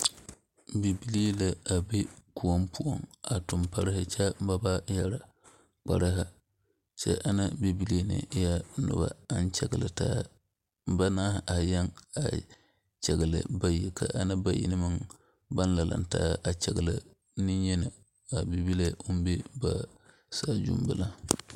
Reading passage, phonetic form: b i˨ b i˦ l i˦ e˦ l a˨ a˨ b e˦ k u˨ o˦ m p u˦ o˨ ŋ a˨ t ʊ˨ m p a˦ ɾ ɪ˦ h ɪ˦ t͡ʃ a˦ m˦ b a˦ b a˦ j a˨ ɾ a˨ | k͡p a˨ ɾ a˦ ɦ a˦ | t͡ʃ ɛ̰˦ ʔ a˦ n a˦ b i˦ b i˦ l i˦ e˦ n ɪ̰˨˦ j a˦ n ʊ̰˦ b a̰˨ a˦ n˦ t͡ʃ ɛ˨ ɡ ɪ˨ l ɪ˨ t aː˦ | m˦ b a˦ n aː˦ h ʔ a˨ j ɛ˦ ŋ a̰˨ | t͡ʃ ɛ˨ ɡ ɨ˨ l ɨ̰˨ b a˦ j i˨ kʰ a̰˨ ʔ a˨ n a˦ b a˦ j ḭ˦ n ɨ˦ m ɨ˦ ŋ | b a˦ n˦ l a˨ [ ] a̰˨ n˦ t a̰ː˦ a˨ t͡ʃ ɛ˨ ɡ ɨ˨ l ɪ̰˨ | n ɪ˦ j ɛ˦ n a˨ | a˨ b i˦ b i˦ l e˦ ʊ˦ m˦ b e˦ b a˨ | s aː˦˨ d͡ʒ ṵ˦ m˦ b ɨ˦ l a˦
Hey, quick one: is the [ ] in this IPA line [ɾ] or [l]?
l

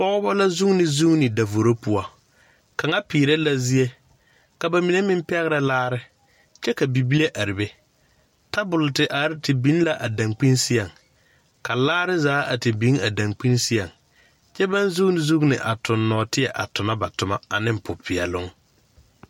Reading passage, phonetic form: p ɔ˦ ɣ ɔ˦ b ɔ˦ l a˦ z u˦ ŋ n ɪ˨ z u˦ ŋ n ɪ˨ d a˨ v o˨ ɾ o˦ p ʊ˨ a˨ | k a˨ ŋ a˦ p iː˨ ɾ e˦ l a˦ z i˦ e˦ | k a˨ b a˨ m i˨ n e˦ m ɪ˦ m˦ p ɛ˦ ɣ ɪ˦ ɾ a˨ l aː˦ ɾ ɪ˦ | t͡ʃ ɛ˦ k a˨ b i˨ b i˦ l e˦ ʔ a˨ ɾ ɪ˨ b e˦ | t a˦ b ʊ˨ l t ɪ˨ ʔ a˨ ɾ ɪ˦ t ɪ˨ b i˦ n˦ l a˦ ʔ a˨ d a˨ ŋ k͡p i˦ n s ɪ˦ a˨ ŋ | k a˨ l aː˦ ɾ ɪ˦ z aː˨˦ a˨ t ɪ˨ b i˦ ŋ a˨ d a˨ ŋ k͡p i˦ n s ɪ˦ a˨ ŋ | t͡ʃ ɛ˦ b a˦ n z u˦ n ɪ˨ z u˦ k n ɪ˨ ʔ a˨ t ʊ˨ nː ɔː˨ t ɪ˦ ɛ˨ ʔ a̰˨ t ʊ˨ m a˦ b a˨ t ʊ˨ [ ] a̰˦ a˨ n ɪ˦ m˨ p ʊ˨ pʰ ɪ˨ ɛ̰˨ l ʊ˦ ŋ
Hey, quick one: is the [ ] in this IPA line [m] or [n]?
m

